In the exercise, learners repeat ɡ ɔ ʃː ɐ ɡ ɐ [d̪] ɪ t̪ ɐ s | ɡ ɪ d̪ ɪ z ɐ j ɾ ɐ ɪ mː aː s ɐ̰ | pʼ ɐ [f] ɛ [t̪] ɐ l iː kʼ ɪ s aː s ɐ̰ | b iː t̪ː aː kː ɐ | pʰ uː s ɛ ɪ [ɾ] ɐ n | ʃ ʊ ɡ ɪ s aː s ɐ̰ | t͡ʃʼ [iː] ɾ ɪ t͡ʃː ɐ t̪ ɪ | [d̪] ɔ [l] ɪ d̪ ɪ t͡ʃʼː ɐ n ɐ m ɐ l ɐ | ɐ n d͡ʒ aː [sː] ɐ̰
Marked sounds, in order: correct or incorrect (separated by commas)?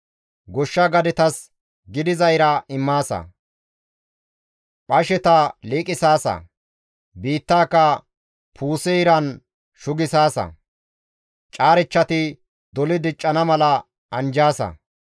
correct, incorrect, correct, correct, incorrect, correct, correct, incorrect